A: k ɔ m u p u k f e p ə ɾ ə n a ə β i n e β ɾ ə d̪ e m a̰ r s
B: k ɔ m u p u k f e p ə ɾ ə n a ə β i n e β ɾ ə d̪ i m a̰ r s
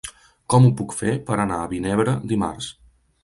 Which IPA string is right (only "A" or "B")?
B